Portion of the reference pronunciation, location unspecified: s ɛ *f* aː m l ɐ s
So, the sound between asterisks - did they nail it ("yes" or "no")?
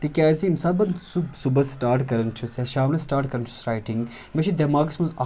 no